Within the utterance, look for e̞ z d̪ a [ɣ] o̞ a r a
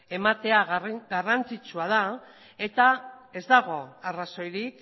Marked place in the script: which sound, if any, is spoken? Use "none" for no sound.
ɣ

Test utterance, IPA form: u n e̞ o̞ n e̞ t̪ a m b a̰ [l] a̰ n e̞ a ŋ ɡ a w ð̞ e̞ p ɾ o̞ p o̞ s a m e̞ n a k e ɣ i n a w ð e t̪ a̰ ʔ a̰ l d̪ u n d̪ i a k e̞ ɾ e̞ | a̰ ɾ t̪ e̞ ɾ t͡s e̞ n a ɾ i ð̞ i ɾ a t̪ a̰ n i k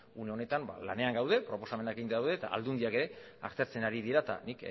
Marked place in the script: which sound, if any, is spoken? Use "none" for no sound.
l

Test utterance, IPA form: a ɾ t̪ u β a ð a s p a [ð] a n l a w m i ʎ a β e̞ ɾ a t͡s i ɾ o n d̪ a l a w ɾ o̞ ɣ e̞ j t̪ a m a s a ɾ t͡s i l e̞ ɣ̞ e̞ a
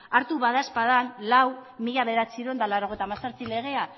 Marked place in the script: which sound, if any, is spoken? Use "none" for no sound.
ð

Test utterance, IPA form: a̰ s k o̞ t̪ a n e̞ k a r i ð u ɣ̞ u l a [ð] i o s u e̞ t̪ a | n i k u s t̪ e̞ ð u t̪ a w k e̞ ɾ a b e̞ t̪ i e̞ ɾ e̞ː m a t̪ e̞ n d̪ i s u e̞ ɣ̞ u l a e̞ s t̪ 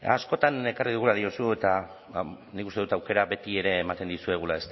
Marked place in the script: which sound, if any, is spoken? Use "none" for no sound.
ð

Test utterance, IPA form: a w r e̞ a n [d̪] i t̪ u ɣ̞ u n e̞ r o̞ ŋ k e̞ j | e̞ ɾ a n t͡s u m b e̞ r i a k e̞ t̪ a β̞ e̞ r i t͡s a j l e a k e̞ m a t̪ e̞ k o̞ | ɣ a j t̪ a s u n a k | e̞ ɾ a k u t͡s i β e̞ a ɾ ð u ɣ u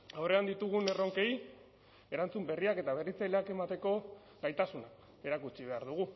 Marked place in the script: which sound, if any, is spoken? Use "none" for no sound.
d̪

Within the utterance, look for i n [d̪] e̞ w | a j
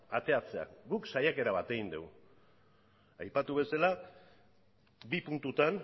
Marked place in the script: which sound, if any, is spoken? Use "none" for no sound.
d̪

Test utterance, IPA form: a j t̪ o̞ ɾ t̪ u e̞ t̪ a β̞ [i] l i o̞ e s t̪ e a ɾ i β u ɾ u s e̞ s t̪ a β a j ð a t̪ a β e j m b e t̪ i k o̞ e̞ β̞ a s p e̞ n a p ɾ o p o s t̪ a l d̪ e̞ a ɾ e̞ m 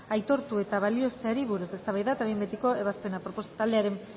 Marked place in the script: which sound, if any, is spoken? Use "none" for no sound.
a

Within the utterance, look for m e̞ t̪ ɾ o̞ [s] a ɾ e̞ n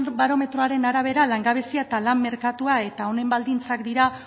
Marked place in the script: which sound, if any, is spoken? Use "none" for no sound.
none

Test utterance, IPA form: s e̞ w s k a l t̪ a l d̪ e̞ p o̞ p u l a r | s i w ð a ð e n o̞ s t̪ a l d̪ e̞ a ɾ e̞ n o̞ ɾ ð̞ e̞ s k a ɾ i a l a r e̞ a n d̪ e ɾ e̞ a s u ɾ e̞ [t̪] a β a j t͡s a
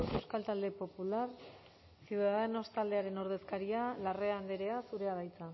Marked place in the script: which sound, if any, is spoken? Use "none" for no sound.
none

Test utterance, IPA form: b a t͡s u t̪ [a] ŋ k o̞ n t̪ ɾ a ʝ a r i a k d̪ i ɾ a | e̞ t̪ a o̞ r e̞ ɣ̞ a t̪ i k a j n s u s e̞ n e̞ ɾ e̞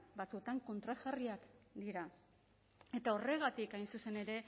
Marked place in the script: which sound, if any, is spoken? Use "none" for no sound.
a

